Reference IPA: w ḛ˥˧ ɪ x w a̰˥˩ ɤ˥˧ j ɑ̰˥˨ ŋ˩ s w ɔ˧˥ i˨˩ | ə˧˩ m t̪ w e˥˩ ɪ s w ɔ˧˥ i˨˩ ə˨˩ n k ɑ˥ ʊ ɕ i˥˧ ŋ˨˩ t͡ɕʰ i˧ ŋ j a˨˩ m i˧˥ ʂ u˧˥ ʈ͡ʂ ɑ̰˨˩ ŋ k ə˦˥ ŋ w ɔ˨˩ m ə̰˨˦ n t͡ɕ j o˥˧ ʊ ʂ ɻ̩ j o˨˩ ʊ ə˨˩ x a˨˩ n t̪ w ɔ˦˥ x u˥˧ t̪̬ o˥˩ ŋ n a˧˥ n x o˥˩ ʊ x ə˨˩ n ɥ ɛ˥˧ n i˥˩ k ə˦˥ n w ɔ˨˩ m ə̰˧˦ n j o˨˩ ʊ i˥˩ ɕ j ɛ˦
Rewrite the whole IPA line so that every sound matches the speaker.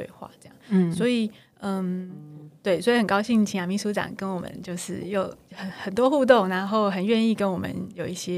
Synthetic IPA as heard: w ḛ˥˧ ɪ x w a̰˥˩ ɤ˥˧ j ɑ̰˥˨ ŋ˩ s w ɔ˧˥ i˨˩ | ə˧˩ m t̪ w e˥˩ ɪ s w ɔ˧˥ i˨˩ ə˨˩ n k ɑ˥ ʊ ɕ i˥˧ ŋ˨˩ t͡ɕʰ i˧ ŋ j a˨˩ m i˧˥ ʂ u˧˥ ʈ͡ʂ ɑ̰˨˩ ŋ k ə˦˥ n w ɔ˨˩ m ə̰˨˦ n t͡ɕ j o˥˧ ʊ ʂ ɻ̩ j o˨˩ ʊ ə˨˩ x ə˨˩ n t̪ w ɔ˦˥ x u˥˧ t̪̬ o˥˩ ŋ n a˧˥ n x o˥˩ ʊ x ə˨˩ n ɥ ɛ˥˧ n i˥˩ k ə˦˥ n w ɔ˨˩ m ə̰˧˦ n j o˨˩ ʊ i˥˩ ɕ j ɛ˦